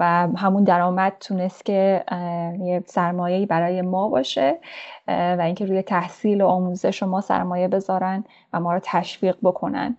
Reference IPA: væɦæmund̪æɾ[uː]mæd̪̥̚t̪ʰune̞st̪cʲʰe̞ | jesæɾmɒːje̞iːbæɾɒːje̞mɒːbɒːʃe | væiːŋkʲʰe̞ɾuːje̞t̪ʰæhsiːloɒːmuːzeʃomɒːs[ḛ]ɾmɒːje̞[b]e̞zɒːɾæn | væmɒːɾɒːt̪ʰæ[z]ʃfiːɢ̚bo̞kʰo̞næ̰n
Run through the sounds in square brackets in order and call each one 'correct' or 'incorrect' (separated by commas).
incorrect, incorrect, correct, incorrect